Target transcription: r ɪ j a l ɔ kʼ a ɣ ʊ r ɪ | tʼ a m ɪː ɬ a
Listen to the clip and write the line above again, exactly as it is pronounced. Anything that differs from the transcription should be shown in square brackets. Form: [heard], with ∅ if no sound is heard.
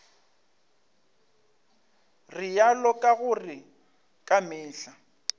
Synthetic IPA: r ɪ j a l ɔ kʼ a ɣ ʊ r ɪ | [kʼ] a m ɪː ɬ a